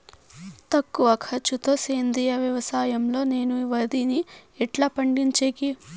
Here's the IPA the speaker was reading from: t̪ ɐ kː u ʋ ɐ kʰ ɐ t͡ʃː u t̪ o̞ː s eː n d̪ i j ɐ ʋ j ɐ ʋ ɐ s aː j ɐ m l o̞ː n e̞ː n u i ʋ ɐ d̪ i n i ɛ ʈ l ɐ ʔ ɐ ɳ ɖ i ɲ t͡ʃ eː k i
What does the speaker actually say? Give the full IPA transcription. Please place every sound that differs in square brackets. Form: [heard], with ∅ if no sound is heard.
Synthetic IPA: t̪ ɐ kː u ʋ ɐ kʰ ɐ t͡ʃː u t̪ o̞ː s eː n d̪ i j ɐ ʋ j ɐ ʋ ɐ s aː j ɐ m l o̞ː n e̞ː n u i ʋ ɐ d̪ i n i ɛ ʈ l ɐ [p] ɐ ɳ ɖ i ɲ t͡ʃ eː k i